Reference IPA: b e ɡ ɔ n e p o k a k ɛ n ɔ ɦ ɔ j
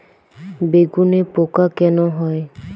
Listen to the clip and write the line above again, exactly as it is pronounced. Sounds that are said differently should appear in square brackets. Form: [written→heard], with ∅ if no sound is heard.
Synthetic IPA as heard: b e ɡ [ɔ→u] n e p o k a k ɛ n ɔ ɦ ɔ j